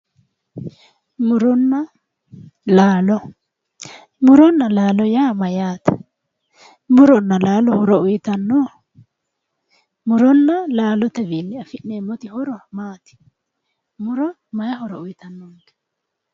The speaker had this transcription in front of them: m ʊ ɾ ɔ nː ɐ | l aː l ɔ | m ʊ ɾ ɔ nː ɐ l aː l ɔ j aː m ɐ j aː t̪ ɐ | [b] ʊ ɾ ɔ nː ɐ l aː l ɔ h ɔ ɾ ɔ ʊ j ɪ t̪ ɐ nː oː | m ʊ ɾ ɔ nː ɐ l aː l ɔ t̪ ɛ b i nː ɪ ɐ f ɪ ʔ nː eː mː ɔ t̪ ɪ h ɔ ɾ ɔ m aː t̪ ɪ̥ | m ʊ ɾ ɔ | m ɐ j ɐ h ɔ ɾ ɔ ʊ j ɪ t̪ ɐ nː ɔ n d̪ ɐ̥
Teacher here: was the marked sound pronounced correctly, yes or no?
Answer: no